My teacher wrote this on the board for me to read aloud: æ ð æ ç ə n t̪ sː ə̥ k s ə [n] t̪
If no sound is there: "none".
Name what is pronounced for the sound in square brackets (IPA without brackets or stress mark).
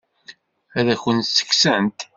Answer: n